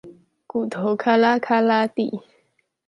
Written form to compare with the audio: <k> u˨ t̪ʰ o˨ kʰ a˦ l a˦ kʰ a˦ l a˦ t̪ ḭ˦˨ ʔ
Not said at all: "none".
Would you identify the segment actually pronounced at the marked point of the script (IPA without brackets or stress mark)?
k